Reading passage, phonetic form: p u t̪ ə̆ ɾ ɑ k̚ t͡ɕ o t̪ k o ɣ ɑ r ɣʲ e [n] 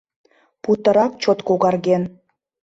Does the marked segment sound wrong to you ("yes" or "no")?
no